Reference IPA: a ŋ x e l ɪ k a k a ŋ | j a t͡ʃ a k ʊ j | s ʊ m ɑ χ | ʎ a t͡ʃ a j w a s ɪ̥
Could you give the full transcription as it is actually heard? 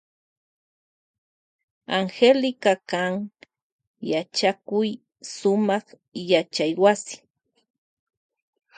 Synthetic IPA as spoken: a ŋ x e l ɪ k a k a ŋ | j a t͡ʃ a k ʊ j | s ʊ m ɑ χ | j a t͡ʃ a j w a s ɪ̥